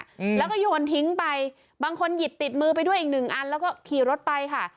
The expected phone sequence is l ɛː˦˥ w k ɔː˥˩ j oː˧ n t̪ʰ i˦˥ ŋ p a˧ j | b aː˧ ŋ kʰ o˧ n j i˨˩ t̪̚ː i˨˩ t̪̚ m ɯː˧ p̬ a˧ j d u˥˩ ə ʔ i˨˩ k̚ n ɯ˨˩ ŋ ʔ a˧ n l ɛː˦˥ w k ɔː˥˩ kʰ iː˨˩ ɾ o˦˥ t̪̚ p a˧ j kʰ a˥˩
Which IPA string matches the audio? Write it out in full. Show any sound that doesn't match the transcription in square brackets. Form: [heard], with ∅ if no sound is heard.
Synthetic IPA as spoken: l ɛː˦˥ w k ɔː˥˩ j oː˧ n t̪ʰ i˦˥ ŋ p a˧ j | b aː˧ ŋ kʰ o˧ n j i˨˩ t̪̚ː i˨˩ t̪̚ m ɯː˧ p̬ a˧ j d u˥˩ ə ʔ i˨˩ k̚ n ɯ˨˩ ŋ ʔ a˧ n l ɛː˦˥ w k ɔː˥˩ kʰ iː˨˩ ɾ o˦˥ t̪̚ p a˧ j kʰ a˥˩